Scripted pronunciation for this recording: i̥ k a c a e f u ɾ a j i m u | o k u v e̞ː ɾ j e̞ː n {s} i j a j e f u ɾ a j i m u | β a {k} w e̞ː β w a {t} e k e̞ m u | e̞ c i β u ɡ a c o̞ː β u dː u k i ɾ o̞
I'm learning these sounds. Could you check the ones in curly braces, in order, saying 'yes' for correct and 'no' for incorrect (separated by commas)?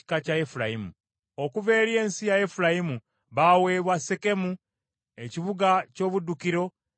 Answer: yes, no, no